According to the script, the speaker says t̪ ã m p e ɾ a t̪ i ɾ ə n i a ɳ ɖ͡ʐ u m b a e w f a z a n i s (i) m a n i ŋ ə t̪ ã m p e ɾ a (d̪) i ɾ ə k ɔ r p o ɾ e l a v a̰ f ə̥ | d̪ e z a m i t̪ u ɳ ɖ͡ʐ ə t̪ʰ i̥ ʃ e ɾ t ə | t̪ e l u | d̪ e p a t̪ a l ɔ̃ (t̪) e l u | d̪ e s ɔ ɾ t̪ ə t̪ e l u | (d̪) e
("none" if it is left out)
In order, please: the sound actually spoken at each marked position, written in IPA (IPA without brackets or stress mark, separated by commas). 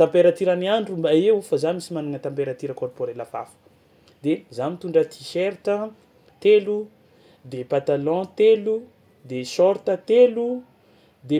i, t̪, t̪, d̪